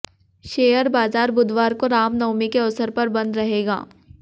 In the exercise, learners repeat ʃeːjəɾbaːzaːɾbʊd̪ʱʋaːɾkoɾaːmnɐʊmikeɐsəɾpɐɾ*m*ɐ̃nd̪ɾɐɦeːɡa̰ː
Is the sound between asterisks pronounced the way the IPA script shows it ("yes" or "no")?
no